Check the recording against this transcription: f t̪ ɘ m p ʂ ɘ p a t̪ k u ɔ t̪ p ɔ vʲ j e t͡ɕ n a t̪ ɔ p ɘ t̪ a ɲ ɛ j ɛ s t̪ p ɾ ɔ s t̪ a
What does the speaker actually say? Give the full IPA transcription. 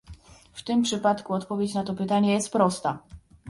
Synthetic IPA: f t̪ ɘ m p ʂ ɘ p a t̪ k u ɔ t̪ p ɔ vʲ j e t͡ɕ n a t̪ ɔ p ɘ t̪ a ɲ ɛ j ɛ s t̪ p ɾ ɔ s t̪ a